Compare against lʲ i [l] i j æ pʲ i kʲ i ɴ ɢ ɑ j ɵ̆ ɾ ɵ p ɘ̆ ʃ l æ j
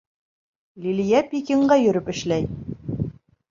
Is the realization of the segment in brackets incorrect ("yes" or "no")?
no